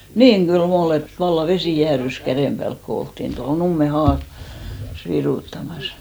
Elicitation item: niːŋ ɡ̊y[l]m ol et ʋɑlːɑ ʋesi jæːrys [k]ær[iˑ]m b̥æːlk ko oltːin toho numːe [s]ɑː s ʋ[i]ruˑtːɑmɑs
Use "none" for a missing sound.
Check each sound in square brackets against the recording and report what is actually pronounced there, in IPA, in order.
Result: l, k, eˑ, h, i

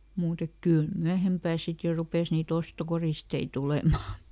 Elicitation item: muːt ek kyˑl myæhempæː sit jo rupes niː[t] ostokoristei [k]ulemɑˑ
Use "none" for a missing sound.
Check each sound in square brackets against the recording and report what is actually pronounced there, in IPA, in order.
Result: t, t

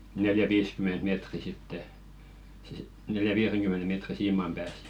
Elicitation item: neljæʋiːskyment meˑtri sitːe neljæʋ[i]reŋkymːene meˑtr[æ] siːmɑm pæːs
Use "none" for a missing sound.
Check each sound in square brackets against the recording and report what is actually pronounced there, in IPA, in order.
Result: iː, i

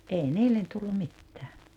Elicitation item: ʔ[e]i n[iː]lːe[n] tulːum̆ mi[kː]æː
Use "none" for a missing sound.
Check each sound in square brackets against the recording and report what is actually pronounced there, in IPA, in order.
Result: e, iː, n, tː

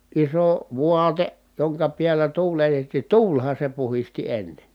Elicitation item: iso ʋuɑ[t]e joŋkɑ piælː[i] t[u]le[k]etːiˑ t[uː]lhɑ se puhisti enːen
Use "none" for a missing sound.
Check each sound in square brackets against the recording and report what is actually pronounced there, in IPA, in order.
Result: t, æ, uː, t, uː

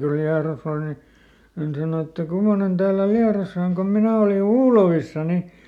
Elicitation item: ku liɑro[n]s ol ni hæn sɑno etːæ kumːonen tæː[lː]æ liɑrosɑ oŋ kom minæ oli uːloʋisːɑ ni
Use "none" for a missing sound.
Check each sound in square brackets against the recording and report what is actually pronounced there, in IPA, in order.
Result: none, lː

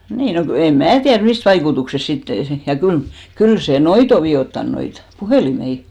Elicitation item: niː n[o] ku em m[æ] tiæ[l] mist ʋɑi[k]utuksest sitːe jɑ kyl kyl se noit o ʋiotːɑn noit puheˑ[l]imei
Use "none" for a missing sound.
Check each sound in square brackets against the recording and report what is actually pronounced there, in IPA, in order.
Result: o, æː, r, k, l

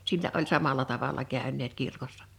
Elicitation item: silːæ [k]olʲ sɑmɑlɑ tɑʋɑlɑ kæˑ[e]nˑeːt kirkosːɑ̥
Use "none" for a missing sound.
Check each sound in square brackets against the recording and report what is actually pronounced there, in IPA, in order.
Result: ʔ, ø

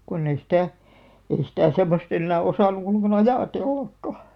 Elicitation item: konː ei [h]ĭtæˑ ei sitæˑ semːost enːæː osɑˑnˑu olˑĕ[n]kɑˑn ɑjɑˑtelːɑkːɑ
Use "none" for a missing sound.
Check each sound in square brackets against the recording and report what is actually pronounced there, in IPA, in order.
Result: s, ŋ

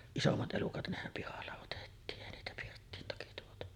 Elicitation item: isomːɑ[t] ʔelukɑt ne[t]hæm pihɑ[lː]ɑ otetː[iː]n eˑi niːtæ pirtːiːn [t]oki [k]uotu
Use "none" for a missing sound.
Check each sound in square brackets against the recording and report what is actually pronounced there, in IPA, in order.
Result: t, none, lː, iː, t, t

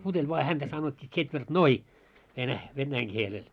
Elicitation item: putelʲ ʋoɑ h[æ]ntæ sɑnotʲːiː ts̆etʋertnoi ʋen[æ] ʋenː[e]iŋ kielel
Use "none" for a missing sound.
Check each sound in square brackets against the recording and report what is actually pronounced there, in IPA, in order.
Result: æ, æ, æ

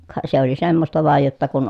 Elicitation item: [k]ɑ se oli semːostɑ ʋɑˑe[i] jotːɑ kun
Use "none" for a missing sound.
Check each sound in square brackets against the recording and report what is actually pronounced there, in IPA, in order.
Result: k, j

